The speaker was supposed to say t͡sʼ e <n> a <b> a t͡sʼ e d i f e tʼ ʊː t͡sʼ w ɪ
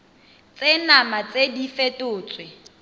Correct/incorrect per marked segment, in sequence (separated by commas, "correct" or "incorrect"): correct, incorrect